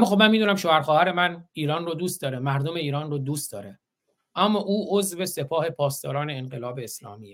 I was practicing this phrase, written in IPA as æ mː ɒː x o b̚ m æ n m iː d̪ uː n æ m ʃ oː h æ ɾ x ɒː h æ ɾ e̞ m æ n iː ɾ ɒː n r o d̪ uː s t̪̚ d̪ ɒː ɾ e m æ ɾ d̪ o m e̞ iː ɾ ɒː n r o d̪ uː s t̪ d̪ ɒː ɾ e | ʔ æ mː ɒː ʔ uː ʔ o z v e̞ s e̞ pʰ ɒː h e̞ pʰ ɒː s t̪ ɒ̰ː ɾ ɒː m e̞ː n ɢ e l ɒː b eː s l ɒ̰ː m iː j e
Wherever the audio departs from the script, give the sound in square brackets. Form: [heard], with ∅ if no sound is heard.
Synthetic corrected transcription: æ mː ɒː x o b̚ m æ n m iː d̪ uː n æ m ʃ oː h æ ɾ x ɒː h æ ɾ e̞ m æ n iː ɾ ɒː n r o d̪ uː s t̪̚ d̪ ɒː ɾ e m æ ɾ d̪ o m e̞ iː ɾ ɒː n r o d̪ uː s t̪ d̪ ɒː ɾ e | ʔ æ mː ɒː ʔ uː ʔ o z v e̞ s e̞ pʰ ɒː h e̞ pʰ ɒː s t̪ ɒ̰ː ɾ ɒː [n] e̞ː n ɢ e l ɒː b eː s l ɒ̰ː m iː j e